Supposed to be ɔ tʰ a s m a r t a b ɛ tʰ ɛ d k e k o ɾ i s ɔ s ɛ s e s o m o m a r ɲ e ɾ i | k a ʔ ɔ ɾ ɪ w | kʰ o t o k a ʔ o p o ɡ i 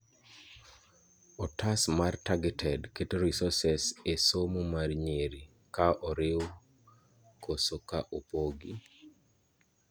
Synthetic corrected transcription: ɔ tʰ a s m a r t a ɡ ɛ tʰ ɛ d k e t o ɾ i s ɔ s ɛ s e s o m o m a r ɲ e ɾ i | k a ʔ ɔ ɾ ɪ w | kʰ o s o k a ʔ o p o ɡ i

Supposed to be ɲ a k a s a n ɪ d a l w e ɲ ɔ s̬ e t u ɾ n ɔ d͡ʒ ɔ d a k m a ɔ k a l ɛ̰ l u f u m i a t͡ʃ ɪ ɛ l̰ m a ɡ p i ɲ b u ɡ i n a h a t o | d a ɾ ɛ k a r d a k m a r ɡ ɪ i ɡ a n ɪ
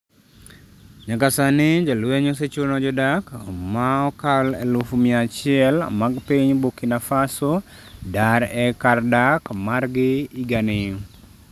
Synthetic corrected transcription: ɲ a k a s a n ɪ d͡ʒ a l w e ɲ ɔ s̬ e t͡ʃ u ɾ n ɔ d͡ʒ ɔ d a k m a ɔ k a l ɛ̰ l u f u m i a t͡ʃ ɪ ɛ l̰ m a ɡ p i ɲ b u k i n a f a s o | d a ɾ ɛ k a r d a k m a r ɡ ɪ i ɡ a n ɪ

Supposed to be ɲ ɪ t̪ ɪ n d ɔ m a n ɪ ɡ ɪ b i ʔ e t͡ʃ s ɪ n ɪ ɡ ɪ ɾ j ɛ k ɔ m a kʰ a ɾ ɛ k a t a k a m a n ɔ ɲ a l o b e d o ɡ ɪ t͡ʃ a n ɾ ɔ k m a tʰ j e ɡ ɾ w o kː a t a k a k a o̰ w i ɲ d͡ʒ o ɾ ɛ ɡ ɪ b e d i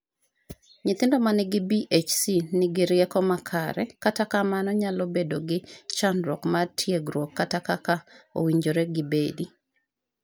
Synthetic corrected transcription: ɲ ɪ t̪ ɪ n d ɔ m a n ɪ ɡ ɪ b i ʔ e t͡ʃ s i n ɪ ɡ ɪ ɾ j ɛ k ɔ m a kʰ a ɾ ɛ k a t a k a m a n ɔ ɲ a l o b e d o ɡ ɪ t͡ʃ a n ɾ ɔ k m a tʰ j e ɡ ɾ w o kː a t a k a k a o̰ w i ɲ d͡ʒ o ɾ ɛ ɡ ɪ b e d i

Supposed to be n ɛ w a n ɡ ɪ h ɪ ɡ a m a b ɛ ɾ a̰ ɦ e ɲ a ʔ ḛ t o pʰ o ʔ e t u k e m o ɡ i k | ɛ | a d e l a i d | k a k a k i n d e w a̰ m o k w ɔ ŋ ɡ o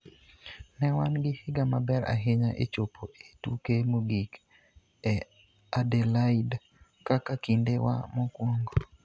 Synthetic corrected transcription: n ɛ w a n ɡ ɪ h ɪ ɡ a m a b ɛ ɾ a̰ ɦ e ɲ a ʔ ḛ t͡ʃ o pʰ o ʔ e t u k e m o ɡ i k | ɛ | a d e l a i d | k a k a k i n d e w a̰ m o k w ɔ ŋ ɡ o

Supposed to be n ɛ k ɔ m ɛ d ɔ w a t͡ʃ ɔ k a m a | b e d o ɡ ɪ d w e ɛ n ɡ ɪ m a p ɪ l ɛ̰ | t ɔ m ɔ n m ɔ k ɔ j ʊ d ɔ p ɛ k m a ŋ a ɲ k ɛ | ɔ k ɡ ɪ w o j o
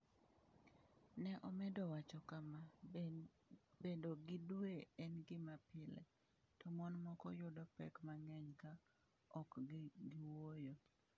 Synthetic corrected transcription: n ɛ ʔ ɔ m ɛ d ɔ w a t͡ʃ ɔ k a m a | b e d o ɡ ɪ d w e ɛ n ɡ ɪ m a p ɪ l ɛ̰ | t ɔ m ɔ n m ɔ k ɔ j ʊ d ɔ p ɛ k m a ŋ ɛ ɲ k a | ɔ k ɡ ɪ w o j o

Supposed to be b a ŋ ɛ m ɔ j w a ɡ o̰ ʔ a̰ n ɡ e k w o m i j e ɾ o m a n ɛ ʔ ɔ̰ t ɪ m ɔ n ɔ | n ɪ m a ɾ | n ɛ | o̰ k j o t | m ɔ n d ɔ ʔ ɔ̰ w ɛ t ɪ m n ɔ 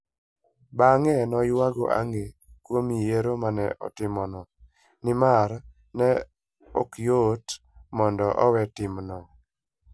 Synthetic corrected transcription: b a ŋ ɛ n ɔ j w a ɡ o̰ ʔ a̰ ŋ ɡ e k w o m i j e ɾ o m a n ɛ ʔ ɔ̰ t ɪ m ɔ n ɔ | n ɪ m a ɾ | n ɛ | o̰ k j o t | m ɔ n d ɔ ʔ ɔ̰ w ɛ t ɪ m n ɔ

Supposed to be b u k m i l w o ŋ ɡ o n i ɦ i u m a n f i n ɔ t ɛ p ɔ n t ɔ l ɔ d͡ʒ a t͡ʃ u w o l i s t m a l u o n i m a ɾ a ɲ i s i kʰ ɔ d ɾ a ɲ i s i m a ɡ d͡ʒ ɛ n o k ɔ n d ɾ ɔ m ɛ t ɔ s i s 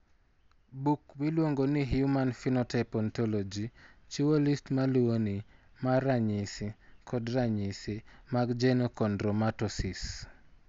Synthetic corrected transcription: b u k m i l w o ŋ ɡ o n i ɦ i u m a n f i n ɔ t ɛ p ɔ n t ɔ l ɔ d͡ʒ i t͡ʃ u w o l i s t m a l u o n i m a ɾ a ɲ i s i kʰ ɔ d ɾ a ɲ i s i m a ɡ d͡ʒ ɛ n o k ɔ n d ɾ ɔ m a t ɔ s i s

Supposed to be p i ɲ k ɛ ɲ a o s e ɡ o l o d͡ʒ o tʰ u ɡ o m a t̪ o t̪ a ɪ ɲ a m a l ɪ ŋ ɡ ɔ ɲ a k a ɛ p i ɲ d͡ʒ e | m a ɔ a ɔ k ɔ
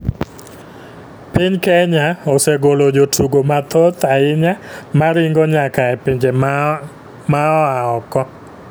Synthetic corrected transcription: p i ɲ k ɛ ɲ a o s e ɡ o l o d͡ʒ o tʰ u ɡ o m a t̪ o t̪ a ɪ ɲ a m a ɾ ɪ ŋ ɡ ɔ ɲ a k a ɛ p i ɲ d͡ʒ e | m a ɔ a ɔ k ɔ

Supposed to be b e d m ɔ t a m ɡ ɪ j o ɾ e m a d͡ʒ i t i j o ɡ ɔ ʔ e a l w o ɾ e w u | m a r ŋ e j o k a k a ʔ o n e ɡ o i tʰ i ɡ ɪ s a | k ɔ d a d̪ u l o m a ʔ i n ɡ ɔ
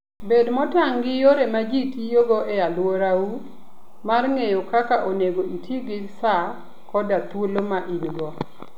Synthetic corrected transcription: b e d m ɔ t a ŋ ɡ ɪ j o ɾ e m a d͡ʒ i t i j o ɡ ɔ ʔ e a l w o ɾ a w u | m a r ŋ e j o k a k a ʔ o n e ɡ o i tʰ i ɡ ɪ s a | k ɔ d a t̪ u l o m a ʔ i n ɡ ɔ

